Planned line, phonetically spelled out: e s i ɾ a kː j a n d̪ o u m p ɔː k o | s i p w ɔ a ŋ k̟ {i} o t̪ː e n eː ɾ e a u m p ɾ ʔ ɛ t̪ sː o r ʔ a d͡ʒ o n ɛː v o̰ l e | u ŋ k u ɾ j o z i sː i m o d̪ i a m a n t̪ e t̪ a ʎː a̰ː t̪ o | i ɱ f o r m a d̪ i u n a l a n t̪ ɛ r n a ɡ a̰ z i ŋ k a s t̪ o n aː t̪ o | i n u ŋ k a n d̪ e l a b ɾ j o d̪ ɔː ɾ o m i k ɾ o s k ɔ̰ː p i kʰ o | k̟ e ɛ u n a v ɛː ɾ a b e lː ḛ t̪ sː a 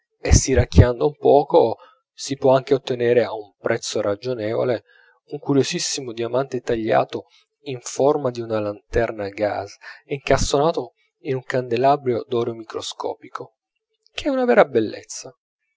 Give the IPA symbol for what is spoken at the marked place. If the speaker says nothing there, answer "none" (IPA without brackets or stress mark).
e